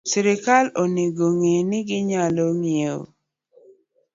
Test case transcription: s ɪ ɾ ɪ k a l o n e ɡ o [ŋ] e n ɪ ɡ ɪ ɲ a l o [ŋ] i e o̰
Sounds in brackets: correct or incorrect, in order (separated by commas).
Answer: correct, correct